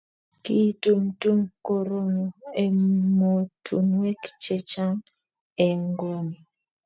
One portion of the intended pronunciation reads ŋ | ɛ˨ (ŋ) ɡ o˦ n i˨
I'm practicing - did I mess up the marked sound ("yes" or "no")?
no